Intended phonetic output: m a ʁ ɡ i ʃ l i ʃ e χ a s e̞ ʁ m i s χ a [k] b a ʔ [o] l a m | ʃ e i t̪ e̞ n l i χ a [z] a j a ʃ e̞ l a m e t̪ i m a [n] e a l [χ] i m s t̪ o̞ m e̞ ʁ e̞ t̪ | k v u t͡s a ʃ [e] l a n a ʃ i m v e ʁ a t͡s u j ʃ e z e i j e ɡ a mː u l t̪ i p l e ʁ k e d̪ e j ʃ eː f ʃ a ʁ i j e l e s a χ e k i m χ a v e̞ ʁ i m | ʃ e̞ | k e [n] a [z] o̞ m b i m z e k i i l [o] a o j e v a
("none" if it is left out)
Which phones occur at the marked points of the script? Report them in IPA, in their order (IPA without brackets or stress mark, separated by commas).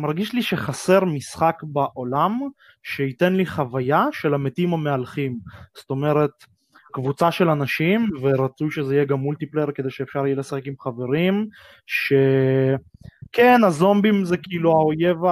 k, o, v, m, χ, e, n, z, u